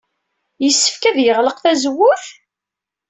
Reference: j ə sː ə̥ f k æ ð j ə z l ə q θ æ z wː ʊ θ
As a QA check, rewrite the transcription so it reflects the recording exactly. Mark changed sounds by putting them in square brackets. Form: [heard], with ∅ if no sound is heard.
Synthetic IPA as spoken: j ə sː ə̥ f k æ ð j ə [ʁ] l ə q θ æ z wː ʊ θ